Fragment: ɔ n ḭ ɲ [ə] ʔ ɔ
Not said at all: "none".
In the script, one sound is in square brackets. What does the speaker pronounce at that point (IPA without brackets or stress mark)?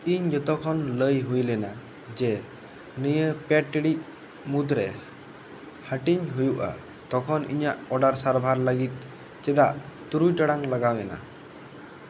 a